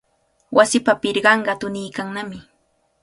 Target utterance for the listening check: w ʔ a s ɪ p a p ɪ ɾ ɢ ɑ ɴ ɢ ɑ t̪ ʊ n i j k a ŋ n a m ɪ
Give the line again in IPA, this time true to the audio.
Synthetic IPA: w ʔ a s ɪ p a p ɪ ɾ ɢ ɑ ɴ ɢ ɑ t̪ ʊ n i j k a ŋ n a m ɪ